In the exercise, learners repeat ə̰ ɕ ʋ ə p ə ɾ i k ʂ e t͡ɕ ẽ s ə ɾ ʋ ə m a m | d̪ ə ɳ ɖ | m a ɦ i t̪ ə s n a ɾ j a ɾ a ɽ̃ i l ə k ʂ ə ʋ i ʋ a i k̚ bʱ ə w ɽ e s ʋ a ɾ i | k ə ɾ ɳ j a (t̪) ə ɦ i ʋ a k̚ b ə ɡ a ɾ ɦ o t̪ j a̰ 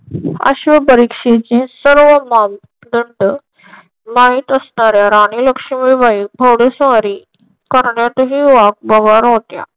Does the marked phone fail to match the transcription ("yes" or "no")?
no